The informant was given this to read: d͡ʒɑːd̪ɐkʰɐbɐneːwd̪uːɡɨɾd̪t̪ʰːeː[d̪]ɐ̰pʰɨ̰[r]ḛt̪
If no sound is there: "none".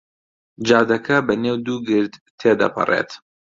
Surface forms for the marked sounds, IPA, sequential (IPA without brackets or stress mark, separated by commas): d̪, r